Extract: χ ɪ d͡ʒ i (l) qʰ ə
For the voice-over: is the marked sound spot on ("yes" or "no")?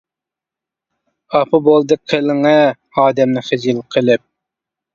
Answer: yes